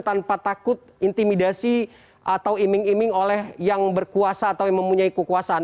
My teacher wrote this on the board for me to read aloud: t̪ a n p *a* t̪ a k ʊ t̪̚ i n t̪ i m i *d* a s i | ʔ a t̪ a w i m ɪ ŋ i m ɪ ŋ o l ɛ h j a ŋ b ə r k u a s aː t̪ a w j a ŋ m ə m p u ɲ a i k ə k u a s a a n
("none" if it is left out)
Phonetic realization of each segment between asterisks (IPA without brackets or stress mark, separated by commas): a, d